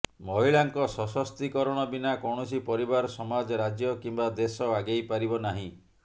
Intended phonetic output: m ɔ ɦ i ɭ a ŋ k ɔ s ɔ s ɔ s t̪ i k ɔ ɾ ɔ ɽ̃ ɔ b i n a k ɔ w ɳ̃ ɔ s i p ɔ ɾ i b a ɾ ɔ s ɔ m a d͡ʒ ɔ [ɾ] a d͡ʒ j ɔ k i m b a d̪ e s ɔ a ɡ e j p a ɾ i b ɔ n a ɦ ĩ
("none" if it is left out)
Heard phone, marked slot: ɾ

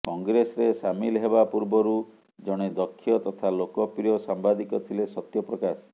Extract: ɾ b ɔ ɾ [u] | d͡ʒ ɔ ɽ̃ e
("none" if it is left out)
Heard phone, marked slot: u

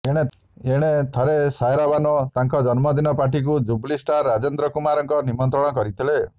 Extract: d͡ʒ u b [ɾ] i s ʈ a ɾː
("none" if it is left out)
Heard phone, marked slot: l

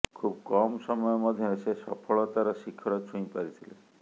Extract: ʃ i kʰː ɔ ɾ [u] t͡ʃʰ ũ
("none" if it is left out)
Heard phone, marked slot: ɔ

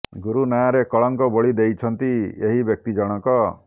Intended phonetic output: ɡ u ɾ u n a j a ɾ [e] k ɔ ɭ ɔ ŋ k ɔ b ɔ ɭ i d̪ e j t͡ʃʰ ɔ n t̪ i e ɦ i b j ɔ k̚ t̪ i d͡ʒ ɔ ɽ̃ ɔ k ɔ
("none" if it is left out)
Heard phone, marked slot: e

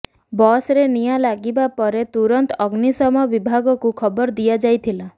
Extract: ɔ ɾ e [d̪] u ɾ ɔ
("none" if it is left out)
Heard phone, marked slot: t̪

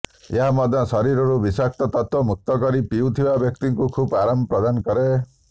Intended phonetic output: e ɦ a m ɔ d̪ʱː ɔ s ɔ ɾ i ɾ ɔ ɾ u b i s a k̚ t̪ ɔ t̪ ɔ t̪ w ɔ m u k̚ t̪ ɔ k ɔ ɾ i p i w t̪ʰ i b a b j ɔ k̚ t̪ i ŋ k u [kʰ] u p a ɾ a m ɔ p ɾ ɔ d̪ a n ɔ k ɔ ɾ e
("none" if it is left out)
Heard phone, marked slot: kʰ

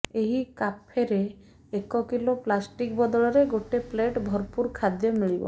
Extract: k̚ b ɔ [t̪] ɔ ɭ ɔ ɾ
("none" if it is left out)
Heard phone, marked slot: d̪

